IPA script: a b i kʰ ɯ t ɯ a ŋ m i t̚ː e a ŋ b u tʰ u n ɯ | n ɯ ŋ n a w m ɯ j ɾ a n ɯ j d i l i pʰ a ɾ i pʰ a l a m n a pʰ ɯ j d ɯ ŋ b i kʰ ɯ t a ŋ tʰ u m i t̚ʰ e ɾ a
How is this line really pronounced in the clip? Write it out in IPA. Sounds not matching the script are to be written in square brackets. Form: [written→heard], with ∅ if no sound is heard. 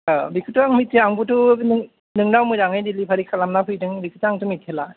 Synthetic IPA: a b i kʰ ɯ t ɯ a ŋ m i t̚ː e a ŋ b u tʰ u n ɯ | n ɯ ŋ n a w m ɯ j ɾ a [n→ŋ] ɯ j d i l i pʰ a ɾ i [pʰ→kʰ] a l a m n a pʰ ɯ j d ɯ ŋ b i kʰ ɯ t a ŋ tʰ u m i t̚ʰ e [ɾ→l] a